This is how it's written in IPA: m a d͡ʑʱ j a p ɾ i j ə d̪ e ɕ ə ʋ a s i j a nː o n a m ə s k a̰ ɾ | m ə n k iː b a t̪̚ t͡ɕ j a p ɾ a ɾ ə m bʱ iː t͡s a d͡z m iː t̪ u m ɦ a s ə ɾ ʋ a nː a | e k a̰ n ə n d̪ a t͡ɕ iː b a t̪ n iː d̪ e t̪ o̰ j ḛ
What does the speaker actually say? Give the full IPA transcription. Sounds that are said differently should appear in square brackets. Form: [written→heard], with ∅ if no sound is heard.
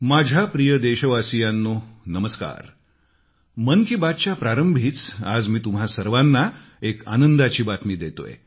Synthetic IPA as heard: m a d͡ʑʱ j a p ɾ i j ə d̪ e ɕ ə ʋ a s i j a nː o n [a→ə] m ə s k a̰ ɾ | m ə n k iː b a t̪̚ t͡ɕ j a p ɾ a ɾ ə m bʱ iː t͡s a d͡z m iː t̪ u m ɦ a s ə ɾ ʋ a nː a | e k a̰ n ə n d̪ a t͡ɕ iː b a t̪ [n→m] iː d̪ e t̪ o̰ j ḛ

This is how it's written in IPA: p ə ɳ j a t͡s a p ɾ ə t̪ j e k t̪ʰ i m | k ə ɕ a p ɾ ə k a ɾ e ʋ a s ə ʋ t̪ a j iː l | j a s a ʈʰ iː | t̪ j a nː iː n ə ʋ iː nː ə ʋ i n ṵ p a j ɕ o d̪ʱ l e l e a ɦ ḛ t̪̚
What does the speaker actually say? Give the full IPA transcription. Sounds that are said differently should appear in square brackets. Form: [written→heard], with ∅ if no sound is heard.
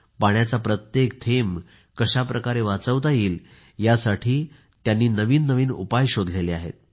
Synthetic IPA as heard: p [ə→a] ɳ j a t͡s a p ɾ ə t̪ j e k t̪ʰ [i→e] m | k ə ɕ a p ɾ ə k a ɾ e ʋ a [s→t͡s] ə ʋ t̪ a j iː l | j a s a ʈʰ iː | t̪ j a nː iː n ə ʋ iː nː ə ʋ [i→iː] n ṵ p a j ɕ o d̪ʱ l e l e a ɦ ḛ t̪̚

